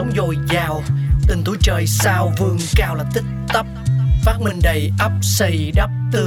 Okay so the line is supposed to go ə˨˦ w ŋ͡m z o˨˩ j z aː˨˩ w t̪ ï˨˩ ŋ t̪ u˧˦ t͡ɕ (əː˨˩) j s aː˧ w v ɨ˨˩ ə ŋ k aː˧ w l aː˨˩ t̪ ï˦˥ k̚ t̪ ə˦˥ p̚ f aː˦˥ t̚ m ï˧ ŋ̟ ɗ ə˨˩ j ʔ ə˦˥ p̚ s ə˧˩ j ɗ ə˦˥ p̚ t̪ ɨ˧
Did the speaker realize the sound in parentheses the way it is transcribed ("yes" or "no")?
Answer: yes